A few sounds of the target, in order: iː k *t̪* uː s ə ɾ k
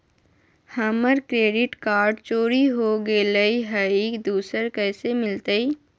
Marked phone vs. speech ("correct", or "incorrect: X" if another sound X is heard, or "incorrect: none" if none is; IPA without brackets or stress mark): incorrect: d̪